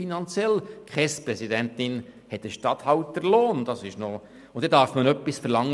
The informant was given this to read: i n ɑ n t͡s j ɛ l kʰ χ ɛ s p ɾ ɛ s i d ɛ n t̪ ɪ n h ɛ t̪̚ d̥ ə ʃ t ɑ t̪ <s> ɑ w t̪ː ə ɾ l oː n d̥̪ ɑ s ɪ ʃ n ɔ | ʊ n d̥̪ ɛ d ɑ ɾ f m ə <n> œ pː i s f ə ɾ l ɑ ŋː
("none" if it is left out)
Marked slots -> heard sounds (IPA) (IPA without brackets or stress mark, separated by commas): h, n